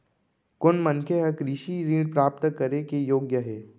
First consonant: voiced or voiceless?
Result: voiceless